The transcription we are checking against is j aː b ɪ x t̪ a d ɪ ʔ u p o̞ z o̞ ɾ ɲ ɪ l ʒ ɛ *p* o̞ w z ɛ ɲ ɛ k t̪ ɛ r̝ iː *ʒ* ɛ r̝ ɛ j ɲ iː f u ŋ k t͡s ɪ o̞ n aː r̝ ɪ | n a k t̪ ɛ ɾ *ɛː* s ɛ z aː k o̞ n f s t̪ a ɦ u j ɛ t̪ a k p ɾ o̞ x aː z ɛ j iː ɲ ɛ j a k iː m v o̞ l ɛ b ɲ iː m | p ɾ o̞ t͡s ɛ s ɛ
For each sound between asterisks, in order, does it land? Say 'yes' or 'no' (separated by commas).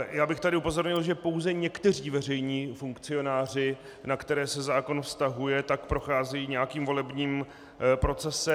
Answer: yes, no, yes